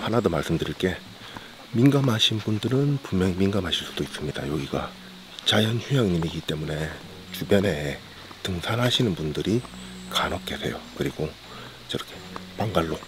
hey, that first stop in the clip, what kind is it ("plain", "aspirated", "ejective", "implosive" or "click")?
plain